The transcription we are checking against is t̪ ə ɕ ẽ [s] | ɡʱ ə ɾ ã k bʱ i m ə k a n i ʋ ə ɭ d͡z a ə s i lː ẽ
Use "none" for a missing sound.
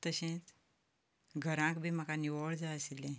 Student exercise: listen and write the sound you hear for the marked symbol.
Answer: t͡s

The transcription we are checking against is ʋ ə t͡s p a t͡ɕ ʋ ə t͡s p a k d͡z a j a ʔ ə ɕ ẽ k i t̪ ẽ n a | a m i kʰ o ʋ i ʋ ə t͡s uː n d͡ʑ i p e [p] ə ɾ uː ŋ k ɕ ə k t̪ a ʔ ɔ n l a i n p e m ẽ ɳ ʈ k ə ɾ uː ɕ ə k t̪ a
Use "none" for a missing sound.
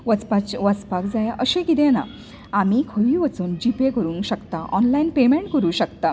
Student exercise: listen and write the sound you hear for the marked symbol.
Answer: k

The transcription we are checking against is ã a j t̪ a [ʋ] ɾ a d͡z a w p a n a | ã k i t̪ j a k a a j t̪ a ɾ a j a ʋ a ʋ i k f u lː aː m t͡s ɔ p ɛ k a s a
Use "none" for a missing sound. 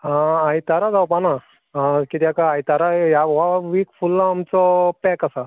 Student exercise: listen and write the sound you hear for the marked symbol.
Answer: none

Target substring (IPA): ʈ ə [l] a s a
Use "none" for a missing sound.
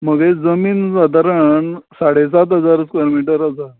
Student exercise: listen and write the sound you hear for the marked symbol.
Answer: ɾ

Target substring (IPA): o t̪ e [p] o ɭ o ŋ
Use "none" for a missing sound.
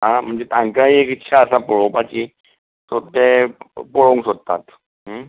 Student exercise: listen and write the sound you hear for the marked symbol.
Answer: p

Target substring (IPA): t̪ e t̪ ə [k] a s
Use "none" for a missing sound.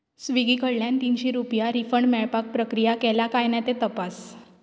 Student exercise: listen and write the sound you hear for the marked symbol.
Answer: p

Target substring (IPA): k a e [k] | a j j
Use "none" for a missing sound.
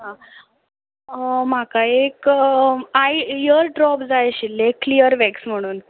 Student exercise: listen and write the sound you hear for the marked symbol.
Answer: k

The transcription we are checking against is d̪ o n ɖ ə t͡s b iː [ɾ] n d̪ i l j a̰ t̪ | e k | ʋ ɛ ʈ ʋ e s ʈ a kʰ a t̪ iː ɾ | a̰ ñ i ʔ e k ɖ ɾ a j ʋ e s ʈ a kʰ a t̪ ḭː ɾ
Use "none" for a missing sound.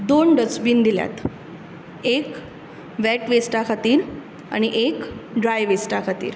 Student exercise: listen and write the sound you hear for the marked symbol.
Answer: none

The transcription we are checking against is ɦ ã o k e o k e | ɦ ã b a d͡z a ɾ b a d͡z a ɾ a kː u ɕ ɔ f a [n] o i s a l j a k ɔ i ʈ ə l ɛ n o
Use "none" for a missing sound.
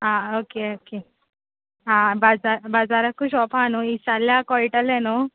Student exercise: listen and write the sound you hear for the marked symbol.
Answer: n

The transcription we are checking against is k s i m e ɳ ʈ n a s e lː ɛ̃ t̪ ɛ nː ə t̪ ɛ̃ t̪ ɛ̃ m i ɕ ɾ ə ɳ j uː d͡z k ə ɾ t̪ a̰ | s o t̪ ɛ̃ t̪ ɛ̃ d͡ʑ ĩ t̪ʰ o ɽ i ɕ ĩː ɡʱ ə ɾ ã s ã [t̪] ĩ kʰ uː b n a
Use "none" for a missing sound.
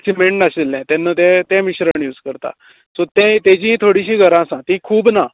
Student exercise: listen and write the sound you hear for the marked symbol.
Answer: t̪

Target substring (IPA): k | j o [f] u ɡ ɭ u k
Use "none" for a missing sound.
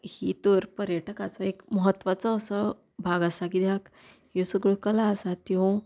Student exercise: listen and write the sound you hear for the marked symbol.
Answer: s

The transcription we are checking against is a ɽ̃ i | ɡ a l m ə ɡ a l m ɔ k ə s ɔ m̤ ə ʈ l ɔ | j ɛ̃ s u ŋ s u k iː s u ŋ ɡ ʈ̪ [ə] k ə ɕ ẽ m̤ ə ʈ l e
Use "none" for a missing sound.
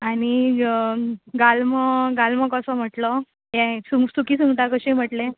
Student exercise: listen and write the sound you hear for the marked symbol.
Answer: a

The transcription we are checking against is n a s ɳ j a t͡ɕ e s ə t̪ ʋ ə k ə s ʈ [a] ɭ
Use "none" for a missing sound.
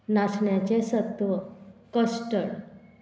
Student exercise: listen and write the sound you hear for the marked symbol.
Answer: ə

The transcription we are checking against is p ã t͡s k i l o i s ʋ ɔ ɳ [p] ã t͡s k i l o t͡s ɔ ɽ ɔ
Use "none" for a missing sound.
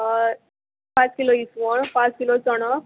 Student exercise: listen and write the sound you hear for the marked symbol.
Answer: p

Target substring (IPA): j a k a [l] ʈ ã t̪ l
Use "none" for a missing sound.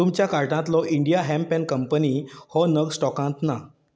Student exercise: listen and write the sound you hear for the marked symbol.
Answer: ɾ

